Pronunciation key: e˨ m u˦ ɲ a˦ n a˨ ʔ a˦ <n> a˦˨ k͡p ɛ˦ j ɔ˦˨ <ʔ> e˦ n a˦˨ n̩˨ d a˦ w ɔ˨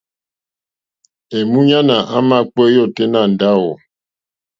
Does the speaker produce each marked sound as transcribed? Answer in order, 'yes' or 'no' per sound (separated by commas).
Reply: no, no